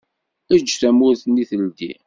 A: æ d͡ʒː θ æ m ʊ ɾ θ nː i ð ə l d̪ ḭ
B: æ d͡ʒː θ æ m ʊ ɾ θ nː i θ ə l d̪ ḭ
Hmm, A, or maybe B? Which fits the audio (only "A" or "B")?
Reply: B